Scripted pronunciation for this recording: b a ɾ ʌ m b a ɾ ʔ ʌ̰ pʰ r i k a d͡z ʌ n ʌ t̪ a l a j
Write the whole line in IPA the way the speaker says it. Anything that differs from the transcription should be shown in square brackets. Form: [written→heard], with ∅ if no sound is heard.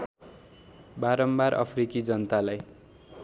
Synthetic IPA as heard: b a ɾ ʌ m b a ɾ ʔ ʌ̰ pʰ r i k [a→i] d͡z ʌ n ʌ t̪ a l a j